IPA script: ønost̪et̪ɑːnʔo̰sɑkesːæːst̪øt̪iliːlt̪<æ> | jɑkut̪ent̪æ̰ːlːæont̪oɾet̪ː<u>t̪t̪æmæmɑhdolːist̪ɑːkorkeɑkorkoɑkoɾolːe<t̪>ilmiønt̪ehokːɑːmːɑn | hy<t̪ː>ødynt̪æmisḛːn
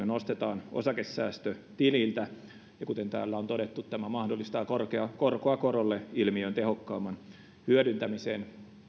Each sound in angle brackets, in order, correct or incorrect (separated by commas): correct, correct, incorrect, incorrect